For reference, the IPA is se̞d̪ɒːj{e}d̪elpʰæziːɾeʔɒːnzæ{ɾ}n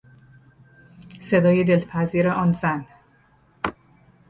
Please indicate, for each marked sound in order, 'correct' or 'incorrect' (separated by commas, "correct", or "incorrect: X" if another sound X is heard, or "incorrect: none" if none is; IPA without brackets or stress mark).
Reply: correct, incorrect: none